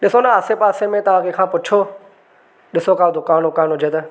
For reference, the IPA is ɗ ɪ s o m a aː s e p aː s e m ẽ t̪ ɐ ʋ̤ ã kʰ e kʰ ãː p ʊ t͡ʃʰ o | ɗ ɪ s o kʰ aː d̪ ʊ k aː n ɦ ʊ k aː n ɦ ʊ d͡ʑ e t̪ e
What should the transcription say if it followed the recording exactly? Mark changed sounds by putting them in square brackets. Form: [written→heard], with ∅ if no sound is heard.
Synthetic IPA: ɗ ɪ s o [m→n] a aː s e p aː s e m ẽ t̪ ɐ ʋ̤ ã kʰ e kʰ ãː p ʊ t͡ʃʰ o | ɗ ɪ s o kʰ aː d̪ ʊ k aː n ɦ ʊ k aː n ɦ ʊ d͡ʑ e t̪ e

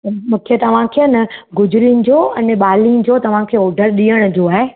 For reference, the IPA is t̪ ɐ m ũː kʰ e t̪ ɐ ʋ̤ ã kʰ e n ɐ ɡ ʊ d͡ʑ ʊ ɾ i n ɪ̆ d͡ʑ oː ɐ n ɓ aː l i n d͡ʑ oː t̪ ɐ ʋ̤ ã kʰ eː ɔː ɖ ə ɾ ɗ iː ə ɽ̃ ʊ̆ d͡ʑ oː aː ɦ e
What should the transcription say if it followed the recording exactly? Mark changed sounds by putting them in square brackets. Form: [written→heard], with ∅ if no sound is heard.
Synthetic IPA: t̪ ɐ m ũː kʰ e t̪ ɐ ʋ̤ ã kʰ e n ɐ ɡ ʊ d͡ʑ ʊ ɾ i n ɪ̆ d͡ʑ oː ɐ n ɓ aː l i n d͡ʑ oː t̪ ɐ ʋ̤ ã kʰ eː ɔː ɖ ə ɾ ɗ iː ə ɽ̃ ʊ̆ d͡ʑ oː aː ɦ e

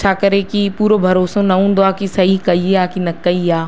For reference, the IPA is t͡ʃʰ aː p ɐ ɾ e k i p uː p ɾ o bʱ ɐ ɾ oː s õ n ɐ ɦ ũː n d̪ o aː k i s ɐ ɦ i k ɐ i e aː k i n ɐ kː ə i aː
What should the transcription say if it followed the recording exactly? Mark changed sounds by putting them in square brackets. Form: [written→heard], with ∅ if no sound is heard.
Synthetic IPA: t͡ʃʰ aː [p→k] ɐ ɾ e k i p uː [p→∅] ɾ o bʱ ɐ ɾ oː s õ n ɐ ɦ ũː n d̪ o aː k i s ɐ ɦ i k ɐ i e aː k i n ɐ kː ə i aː

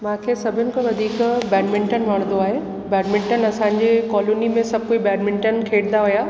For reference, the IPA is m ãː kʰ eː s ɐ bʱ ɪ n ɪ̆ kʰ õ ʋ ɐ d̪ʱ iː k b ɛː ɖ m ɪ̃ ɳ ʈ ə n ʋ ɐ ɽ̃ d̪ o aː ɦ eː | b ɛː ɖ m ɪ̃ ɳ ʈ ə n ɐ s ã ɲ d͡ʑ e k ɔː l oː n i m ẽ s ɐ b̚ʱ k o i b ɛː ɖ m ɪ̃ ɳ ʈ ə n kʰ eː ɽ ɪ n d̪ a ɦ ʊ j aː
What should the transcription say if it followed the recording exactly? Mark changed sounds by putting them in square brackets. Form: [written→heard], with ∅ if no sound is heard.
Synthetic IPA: m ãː kʰ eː s ɐ bʱ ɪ n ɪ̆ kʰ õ ʋ ɐ d̪ʱ iː k b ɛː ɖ m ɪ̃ ɳ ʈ ə n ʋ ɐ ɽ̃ d̪ o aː ɦ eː | b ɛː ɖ m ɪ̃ ɳ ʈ ə n ɐ s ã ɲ d͡ʑ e k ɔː l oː n i m ẽ s ɐ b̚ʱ k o i b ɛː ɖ m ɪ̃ ɳ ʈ ə n kʰ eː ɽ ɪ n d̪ a ɦ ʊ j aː

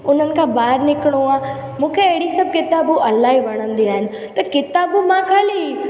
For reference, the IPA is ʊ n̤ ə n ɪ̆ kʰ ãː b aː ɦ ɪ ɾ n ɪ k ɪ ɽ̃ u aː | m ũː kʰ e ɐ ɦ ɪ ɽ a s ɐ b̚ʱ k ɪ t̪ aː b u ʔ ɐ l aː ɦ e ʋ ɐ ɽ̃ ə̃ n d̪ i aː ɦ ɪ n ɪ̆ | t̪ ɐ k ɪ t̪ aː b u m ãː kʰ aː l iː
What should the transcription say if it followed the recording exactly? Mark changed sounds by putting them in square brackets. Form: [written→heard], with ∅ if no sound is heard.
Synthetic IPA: ʊ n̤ ə n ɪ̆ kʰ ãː b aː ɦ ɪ ɾ n ɪ k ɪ ɽ̃ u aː | m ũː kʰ e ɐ ɦ ɪ ɽ [a→i] s ɐ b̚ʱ k ɪ t̪ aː b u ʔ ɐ l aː ɦ [e→i] ʋ ɐ ɽ̃ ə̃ n d̪ i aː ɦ ɪ n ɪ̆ | t̪ ɐ k ɪ t̪ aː b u m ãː kʰ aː l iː

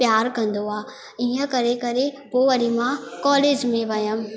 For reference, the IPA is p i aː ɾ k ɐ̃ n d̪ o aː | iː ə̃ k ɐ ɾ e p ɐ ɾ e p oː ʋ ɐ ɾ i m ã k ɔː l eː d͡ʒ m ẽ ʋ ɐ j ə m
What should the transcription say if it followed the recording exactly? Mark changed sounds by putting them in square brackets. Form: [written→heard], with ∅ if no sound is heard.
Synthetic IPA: p [i→j] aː ɾ k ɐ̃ n d̪ o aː | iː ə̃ k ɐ ɾ e [p→k] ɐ ɾ e p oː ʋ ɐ ɾ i m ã k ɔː l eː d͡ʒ m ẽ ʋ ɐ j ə m

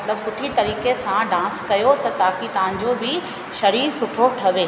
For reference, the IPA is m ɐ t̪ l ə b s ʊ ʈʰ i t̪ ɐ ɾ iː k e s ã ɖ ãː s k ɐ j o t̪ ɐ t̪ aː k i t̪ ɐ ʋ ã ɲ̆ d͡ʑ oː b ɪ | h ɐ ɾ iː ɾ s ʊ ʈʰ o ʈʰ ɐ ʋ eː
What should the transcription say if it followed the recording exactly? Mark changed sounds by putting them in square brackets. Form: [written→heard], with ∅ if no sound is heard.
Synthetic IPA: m ɐ t̪ l ə b s ʊ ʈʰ i t̪ ɐ ɾ iː k e s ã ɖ ãː s k ɐ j o t̪ ɐ t̪ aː k i t̪ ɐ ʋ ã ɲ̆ d͡ʑ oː b ɪ | [h→ʃ] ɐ ɾ iː ɾ s ʊ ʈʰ o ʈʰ ɐ ʋ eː

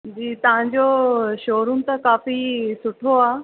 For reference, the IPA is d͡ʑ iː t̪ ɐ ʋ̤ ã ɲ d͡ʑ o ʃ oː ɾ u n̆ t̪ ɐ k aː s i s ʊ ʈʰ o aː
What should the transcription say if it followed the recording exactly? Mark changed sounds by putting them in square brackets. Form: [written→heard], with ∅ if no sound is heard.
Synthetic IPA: d͡ʑ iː t̪ ɐ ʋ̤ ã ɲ d͡ʑ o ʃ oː ɾ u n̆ t̪ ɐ k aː [s→f] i s ʊ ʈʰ o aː

